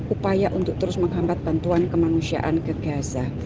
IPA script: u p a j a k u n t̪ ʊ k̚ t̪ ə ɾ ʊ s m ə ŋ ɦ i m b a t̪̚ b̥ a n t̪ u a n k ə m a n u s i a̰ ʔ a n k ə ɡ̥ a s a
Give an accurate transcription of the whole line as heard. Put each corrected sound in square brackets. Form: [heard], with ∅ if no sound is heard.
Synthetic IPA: u p a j a [ʔ] u n t̪ ʊ k̚ t̪ ə ɾ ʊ s m ə ŋ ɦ [a] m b a t̪̚ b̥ a n t̪ u a n k ə m a n u s i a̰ ʔ a n k ə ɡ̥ a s a